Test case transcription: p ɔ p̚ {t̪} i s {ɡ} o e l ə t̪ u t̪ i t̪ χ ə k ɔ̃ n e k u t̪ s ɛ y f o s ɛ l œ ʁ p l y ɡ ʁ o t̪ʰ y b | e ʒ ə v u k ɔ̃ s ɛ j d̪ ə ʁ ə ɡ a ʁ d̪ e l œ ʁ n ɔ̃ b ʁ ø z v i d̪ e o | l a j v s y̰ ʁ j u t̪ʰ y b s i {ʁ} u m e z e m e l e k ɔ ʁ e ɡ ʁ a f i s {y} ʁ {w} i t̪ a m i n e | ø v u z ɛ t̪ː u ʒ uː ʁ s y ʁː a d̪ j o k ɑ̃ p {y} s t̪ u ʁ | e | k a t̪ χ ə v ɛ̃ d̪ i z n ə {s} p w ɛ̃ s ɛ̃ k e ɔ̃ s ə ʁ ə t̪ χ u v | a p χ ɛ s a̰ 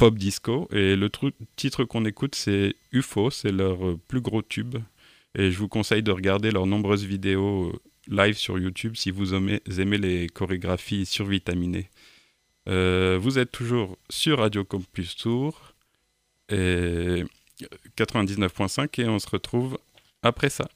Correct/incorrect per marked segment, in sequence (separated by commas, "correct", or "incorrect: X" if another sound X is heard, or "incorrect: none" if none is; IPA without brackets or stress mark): incorrect: d̪, incorrect: k, incorrect: v, correct, incorrect: v, correct, incorrect: f